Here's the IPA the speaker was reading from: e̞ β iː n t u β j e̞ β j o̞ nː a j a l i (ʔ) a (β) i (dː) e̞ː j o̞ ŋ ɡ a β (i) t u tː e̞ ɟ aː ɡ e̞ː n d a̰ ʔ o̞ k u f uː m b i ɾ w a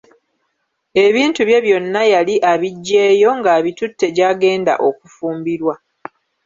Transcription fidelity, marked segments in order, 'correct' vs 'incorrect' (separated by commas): correct, correct, incorrect, correct